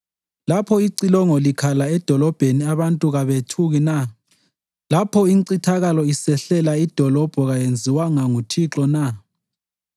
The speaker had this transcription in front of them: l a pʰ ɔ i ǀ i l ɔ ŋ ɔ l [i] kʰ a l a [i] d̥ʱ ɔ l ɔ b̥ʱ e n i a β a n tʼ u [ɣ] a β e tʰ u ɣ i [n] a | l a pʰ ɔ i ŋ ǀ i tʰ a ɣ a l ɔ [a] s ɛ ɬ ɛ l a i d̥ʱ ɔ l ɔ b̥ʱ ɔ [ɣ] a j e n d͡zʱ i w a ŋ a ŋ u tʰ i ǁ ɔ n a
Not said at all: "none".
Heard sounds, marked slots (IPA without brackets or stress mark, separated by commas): i, ɛ, ɣ, n, i, ɣ